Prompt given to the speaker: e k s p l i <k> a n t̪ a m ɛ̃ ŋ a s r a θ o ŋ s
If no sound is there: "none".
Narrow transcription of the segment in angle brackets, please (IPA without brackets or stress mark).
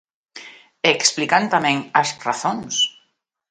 k